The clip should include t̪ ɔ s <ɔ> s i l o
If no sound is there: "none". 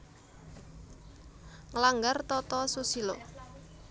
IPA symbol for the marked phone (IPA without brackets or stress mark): u